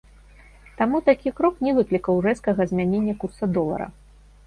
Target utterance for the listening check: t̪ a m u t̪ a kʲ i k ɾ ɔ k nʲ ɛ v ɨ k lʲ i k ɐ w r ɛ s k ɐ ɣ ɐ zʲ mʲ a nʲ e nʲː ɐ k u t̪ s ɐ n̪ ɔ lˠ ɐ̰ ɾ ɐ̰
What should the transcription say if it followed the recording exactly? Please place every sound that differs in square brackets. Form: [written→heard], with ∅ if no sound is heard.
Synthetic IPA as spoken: t̪ a m u t̪ a kʲ i k ɾ ɔ k nʲ ɛ v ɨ k lʲ i k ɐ w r ɛ s k ɐ ɣ ɐ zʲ mʲ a nʲ e nʲː ɐ k u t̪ s ɐ [n̪→d̪] ɔ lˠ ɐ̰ ɾ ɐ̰